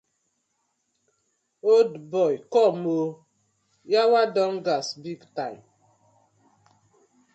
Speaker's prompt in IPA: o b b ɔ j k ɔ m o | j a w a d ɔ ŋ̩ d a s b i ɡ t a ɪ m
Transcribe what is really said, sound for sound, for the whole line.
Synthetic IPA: o d b ɔ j k ɔ m o | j a w a d ɔ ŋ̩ ɡ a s b i ɡ t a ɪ m